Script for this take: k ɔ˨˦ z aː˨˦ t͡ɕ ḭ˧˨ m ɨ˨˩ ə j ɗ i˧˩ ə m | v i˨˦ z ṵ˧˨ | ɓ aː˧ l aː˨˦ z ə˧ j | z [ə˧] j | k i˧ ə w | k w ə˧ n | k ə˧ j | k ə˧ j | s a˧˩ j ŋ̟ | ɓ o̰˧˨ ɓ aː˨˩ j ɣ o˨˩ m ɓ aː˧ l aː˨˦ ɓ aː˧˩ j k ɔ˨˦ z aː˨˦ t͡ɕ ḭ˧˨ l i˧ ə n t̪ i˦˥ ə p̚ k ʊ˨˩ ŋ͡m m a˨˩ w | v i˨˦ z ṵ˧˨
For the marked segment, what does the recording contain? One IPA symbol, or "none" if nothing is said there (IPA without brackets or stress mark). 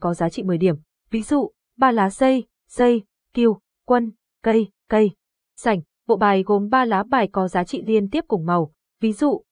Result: ə˧